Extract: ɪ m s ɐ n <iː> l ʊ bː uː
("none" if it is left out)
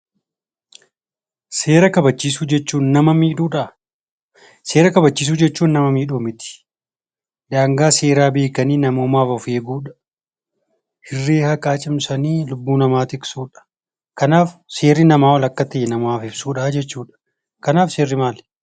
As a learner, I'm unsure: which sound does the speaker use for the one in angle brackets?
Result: iː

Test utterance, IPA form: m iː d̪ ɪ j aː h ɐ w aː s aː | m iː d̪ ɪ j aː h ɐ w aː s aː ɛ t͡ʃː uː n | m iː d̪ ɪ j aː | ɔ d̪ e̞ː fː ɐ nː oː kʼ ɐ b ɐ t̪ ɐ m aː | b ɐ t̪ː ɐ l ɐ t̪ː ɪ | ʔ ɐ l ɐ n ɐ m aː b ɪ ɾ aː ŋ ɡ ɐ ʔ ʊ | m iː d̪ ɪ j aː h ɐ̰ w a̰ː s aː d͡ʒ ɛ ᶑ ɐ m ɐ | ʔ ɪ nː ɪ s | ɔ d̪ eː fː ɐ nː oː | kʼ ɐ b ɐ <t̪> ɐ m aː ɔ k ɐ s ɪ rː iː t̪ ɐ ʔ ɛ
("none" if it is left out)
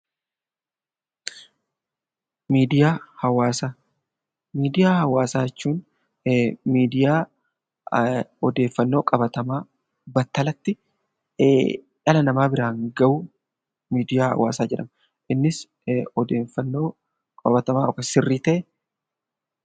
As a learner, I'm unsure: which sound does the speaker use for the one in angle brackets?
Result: t̪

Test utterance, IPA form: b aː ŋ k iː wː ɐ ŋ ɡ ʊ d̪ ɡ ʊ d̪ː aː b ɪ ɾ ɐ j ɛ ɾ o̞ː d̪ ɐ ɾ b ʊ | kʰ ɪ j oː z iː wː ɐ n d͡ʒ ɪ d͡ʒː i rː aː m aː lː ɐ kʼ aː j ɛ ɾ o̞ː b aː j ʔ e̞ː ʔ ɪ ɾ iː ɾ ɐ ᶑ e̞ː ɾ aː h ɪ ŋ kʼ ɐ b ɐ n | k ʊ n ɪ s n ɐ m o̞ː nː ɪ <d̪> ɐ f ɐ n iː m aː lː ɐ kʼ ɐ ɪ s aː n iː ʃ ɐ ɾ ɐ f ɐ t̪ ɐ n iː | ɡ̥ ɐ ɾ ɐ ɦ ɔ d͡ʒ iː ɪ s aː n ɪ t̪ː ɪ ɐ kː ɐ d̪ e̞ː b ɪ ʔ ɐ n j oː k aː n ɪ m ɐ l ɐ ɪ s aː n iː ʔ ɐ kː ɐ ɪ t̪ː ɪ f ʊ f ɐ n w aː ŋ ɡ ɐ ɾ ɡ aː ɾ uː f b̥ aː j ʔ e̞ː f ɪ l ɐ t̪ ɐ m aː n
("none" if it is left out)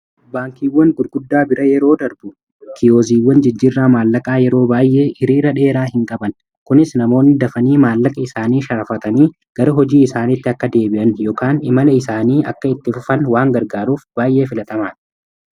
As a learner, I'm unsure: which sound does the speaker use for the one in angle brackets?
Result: d̪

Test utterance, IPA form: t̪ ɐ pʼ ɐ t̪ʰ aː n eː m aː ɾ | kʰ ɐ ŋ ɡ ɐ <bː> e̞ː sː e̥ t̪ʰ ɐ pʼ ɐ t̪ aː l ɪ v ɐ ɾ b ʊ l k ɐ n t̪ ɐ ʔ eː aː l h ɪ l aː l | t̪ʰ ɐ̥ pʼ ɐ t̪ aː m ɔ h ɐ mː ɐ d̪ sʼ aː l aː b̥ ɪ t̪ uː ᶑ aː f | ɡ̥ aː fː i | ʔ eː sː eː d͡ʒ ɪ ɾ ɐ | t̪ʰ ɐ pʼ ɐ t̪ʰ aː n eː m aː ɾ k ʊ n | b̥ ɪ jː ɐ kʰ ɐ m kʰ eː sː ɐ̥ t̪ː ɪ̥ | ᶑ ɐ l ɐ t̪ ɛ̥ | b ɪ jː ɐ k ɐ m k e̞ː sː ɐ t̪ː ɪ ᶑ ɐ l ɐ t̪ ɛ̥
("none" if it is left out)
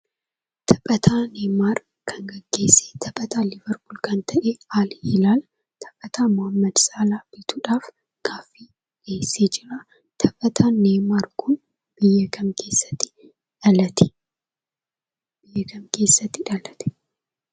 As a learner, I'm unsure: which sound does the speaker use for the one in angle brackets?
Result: ɡː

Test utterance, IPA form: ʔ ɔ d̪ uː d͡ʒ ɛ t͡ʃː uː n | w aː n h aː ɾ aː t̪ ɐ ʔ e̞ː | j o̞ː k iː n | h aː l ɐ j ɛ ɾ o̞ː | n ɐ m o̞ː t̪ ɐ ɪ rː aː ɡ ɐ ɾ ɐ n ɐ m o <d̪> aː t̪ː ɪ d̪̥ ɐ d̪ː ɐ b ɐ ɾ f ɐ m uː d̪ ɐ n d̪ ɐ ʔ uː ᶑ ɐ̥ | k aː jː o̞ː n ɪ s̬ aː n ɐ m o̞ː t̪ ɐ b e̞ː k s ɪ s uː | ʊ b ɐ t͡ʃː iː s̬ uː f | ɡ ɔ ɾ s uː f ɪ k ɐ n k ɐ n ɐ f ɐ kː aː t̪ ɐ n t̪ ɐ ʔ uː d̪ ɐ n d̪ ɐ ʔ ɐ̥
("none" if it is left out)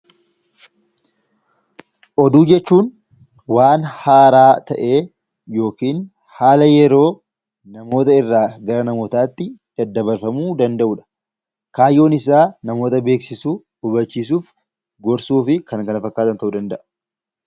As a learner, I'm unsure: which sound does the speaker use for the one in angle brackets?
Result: t̪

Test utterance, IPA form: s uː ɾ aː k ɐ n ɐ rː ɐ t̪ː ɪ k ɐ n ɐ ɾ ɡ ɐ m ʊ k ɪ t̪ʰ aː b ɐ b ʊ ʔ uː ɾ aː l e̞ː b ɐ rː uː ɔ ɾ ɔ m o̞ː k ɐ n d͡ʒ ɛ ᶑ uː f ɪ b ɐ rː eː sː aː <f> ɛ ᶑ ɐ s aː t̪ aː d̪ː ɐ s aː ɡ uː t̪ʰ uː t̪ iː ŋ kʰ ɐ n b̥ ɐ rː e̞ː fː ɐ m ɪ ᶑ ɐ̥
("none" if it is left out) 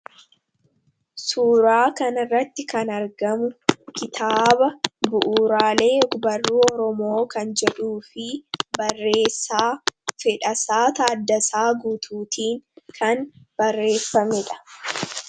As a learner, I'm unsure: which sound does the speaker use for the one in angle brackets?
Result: f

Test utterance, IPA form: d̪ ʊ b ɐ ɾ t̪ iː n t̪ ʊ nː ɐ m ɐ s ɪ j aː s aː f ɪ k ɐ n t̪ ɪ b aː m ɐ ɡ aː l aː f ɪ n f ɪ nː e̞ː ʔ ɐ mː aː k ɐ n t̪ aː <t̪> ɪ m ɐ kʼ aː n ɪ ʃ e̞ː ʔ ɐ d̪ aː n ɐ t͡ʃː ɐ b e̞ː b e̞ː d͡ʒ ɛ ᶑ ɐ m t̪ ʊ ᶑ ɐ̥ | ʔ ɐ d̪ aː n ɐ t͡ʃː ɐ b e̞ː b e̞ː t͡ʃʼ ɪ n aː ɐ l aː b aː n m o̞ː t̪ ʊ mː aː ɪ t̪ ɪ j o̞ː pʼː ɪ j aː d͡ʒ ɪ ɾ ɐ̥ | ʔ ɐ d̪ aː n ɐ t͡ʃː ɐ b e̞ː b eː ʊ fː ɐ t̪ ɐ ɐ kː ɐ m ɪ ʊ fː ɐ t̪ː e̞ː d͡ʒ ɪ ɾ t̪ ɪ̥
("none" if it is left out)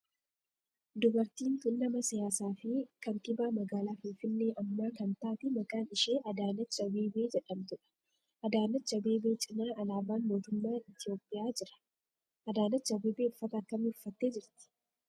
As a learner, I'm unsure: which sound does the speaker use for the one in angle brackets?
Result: t̪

